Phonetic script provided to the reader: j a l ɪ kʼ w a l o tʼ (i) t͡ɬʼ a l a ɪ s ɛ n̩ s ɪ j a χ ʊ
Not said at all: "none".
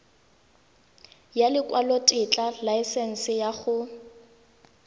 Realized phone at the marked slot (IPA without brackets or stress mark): ɪ